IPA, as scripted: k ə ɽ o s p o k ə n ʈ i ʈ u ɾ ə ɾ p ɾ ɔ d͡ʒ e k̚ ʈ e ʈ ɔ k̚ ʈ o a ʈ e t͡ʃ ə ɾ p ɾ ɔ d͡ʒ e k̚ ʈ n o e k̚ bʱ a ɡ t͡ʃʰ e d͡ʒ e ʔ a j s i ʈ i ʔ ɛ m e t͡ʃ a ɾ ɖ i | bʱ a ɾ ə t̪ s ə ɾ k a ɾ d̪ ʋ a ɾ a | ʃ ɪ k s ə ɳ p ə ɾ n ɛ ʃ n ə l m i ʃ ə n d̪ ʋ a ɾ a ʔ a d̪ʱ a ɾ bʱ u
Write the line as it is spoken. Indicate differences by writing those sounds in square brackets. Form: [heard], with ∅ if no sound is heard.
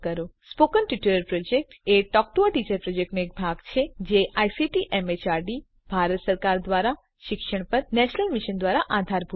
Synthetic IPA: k ə [ɾ] o s p o k ə n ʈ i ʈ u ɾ ə ɾ p ɾ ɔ d͡ʒ e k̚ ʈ e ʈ ɔ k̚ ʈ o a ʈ [i] t͡ʃ ə ɾ p ɾ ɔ d͡ʒ e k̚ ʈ n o e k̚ bʱ a ɡ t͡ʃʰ e d͡ʒ e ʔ a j s i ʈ i ʔ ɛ m e t͡ʃ a ɾ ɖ i | bʱ a ɾ ə t̪ s ə ɾ k a ɾ d̪ ʋ a ɾ a | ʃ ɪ k [ʃ] ə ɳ p ə ɾ n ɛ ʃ n ə l m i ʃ ə n d̪ ʋ a ɾ a ʔ a d̪ʱ a ɾ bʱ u